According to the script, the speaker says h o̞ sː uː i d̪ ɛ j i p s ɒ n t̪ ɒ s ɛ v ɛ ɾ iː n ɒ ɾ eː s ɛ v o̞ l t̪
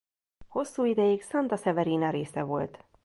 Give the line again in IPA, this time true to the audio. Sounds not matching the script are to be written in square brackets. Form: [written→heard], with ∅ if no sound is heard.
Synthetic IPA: h o̞ sː uː i d̪ ɛ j i [p→k] s ɒ n t̪ ɒ s ɛ v ɛ ɾ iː n ɒ ɾ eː s ɛ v o̞ l t̪